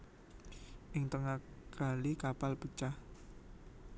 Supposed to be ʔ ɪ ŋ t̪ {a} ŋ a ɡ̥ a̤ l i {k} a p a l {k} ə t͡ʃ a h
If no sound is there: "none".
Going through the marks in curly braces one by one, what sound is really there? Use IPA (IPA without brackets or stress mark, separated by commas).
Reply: ə, k, p